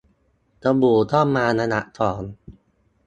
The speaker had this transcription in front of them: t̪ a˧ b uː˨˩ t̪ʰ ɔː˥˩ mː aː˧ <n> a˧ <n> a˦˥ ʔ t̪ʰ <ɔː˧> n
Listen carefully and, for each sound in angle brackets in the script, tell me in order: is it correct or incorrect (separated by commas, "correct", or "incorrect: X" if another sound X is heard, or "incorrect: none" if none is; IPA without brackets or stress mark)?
correct, correct, incorrect: ɔː˩˦